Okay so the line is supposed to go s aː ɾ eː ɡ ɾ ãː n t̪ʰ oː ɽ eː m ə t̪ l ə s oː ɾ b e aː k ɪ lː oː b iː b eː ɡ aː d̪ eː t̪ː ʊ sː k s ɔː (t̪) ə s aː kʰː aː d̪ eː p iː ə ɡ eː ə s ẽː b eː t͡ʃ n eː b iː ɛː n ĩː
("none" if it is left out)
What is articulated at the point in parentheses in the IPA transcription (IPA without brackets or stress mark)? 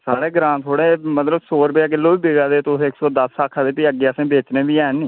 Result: d̪